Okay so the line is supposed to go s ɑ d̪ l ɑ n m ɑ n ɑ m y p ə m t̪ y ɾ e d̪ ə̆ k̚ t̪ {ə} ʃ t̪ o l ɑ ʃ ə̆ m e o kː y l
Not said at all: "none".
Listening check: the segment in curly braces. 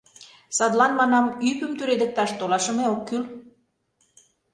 ɑ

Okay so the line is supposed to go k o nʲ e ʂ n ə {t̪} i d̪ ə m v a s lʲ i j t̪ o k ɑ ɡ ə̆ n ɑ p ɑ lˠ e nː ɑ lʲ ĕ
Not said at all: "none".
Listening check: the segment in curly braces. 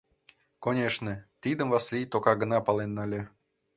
t̪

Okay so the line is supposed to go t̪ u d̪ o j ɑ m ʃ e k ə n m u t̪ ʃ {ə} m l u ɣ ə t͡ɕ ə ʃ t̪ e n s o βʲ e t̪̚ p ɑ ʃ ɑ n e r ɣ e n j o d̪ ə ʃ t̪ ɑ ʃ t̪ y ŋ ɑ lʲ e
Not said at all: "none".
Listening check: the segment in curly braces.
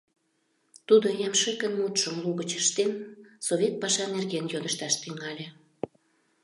ə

